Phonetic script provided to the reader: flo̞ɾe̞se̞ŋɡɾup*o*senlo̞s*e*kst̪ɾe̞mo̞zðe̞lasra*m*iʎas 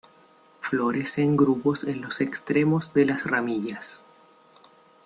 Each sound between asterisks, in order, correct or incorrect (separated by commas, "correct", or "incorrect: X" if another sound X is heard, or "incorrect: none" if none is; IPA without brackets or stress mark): correct, correct, correct